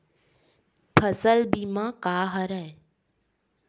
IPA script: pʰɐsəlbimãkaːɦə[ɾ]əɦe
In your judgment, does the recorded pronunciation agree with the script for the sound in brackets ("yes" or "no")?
yes